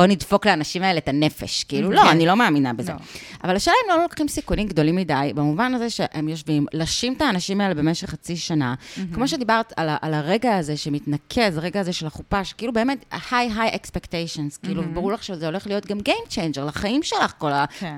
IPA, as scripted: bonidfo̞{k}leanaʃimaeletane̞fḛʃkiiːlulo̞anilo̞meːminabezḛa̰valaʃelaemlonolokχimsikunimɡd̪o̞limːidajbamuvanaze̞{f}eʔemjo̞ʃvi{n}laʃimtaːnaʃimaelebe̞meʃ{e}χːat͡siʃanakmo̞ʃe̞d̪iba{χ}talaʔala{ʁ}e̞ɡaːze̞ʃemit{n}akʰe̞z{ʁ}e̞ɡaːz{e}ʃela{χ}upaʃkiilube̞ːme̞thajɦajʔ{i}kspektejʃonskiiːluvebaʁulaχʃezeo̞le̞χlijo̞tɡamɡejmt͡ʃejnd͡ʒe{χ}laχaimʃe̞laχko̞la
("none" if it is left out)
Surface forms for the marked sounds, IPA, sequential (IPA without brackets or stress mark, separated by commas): k, ʃ, m, e, ʁ, ʁ, n, ʁ, e, χ, e, ʁ